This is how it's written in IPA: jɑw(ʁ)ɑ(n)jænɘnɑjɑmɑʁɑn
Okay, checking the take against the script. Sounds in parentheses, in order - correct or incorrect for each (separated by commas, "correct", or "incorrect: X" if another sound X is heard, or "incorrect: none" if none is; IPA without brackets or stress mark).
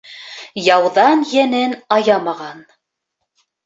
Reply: incorrect: ð, correct